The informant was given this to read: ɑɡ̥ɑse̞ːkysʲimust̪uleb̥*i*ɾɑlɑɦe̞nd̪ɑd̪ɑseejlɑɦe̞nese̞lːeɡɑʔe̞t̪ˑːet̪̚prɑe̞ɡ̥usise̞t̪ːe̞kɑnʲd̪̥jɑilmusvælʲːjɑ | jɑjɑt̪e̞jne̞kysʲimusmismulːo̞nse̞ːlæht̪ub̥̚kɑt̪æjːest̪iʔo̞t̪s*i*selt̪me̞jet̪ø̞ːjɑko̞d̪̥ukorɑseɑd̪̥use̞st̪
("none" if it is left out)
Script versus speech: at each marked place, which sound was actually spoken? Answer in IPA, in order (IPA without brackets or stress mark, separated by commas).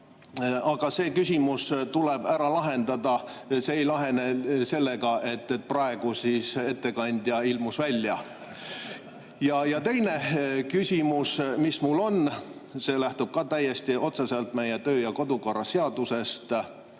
æ, e